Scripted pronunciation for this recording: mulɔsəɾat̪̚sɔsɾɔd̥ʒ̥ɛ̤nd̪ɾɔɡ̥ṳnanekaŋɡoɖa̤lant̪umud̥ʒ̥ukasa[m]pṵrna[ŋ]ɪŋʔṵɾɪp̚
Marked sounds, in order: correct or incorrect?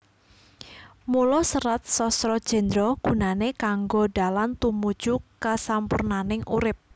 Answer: correct, incorrect: n

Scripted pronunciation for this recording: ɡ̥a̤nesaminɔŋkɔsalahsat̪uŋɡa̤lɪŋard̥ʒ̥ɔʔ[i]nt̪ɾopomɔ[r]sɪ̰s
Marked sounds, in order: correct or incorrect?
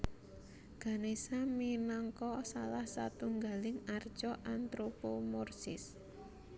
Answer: incorrect: a, correct

